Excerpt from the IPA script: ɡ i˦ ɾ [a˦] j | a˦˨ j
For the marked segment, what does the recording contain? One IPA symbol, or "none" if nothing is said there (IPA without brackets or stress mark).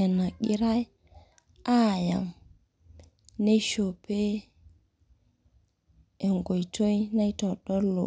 a˦